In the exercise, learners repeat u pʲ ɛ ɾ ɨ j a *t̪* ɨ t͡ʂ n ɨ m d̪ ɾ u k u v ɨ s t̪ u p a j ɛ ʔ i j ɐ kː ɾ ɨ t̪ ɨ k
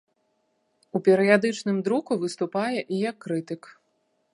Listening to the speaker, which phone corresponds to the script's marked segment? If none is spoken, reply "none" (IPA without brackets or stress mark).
d̪